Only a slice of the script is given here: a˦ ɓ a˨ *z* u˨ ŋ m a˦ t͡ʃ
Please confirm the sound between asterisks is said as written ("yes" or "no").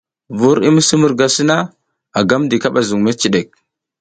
yes